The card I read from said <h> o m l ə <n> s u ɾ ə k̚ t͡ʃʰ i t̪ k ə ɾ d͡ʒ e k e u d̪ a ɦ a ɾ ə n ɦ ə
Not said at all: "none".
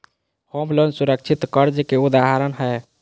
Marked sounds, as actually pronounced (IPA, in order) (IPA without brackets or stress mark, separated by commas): h, n